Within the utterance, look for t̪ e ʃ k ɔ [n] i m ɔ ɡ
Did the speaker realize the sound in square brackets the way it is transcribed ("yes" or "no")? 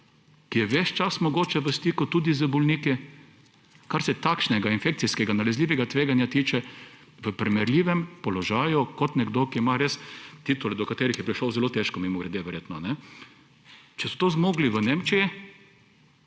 no